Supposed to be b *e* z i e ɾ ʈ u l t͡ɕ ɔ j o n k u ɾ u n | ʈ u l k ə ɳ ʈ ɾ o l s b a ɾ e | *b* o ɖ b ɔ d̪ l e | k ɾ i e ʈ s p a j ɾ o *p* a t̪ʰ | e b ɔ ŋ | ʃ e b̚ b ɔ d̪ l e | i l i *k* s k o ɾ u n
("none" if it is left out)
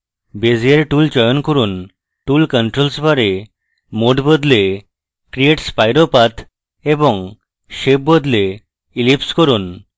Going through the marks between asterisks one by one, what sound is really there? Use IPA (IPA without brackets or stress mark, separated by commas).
e, m, p, p